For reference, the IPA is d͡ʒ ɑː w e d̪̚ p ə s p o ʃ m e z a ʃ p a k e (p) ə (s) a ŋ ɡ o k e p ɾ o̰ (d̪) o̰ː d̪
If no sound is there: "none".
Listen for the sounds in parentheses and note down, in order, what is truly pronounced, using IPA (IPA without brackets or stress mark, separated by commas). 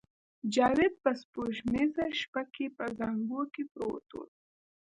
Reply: p, z, t̪